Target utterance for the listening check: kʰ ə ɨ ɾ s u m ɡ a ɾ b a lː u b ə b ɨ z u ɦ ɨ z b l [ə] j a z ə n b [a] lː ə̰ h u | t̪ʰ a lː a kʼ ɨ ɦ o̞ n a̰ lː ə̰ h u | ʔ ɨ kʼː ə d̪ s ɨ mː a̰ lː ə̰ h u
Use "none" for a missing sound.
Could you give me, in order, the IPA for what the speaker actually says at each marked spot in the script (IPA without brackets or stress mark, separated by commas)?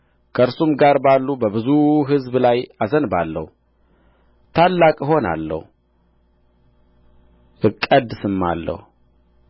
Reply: a, a